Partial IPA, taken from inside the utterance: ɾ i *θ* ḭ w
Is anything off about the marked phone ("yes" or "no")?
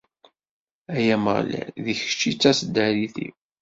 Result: no